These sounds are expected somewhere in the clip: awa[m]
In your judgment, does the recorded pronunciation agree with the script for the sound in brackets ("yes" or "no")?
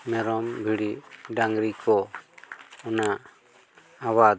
no